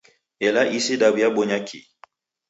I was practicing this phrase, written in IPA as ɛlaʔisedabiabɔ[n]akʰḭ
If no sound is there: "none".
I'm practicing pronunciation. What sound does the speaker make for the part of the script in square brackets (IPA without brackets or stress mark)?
ɲ